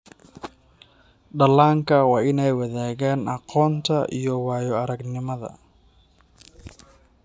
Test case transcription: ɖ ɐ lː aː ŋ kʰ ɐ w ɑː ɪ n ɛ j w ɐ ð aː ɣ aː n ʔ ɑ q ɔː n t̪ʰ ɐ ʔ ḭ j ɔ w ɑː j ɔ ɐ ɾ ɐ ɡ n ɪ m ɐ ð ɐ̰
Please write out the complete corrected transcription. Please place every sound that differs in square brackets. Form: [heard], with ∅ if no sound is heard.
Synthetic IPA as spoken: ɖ ɐ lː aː ŋ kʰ ɐ w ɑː ɪ n ɛ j w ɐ ð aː ɣ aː n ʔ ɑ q ɔː n t̪ʰ ɐ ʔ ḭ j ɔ w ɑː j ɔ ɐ ɾ ɐ ɡ n ɪ m ɐ ð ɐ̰